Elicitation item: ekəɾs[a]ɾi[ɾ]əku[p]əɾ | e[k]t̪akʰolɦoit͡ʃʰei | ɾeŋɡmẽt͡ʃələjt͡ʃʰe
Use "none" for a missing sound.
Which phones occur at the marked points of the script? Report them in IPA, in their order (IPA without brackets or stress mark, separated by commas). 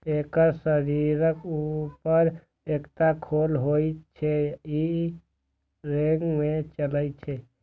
ə, ɾ, p, k